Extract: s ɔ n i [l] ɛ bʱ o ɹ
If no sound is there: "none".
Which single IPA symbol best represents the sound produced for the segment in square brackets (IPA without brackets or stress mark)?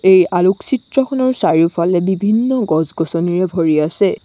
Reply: ɹ